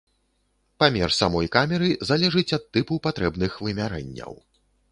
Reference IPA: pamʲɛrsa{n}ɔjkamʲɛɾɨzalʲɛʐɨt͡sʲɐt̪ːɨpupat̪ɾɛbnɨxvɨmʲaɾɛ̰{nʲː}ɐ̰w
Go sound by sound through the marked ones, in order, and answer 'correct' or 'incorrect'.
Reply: incorrect: m, correct

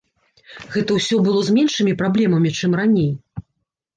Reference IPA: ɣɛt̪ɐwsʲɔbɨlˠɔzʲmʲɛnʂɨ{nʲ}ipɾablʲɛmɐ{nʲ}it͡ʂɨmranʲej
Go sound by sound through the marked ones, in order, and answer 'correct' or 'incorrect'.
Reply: incorrect: mʲ, incorrect: mʲ

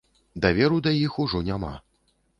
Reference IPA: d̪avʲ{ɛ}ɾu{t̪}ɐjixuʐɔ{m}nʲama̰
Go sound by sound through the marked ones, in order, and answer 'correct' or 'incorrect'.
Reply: correct, incorrect: d̪, incorrect: none

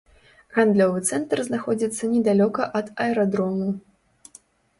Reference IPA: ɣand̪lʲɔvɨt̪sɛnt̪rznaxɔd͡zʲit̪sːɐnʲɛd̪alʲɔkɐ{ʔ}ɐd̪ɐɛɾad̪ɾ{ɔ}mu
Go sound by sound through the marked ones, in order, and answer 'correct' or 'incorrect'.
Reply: correct, correct

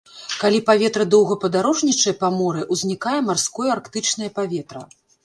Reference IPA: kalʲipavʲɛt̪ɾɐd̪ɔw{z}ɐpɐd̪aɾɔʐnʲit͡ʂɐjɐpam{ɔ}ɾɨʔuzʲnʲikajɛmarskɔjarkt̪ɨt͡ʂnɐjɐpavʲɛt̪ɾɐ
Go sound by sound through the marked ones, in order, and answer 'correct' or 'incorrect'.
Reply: incorrect: ɣ, correct

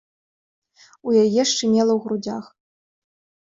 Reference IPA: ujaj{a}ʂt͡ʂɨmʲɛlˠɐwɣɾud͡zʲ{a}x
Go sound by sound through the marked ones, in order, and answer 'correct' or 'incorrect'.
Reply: incorrect: ɛ, correct

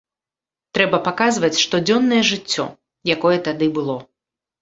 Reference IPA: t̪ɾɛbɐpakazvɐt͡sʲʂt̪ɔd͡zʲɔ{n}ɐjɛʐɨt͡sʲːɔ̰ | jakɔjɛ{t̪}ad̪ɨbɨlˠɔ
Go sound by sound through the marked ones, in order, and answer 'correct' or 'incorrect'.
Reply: incorrect: nː, correct

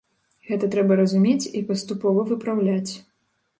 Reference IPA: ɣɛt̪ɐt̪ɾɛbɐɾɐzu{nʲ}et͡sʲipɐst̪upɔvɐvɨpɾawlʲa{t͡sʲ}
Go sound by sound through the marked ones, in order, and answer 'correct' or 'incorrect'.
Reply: incorrect: mʲ, correct

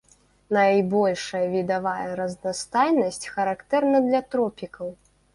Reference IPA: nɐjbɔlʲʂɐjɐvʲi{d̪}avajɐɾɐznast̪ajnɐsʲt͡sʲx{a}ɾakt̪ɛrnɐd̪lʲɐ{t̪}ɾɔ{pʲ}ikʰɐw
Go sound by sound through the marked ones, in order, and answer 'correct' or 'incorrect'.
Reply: correct, incorrect: ɐ, correct, correct

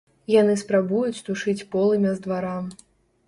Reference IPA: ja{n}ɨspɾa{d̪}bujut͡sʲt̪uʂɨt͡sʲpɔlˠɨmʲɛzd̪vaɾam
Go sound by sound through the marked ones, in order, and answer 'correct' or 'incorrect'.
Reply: correct, incorrect: none

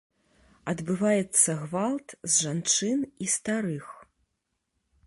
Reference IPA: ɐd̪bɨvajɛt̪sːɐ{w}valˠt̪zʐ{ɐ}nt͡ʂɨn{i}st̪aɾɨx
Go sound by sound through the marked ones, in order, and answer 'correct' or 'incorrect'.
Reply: incorrect: ɣ, incorrect: a, correct

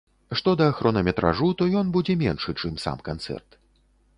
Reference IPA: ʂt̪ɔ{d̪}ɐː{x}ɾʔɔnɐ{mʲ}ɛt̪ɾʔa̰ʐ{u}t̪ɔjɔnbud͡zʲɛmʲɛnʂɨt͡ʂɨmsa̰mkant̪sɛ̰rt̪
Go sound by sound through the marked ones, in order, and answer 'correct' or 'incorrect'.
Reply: correct, correct, correct, correct

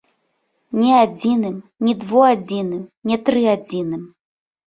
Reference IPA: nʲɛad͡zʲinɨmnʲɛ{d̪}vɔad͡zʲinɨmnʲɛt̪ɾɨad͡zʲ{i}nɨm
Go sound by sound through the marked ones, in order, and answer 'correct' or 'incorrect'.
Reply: correct, correct

